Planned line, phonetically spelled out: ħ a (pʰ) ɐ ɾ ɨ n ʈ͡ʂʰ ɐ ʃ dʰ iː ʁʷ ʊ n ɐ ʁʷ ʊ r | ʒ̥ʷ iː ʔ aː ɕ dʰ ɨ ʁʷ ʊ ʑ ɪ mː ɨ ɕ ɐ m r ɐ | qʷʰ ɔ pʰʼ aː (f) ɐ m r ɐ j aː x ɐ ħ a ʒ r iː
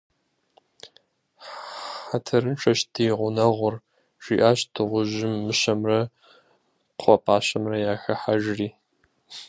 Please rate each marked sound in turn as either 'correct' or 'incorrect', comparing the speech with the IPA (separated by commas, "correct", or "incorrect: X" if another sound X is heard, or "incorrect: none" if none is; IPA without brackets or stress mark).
incorrect: tʰ, incorrect: ɕ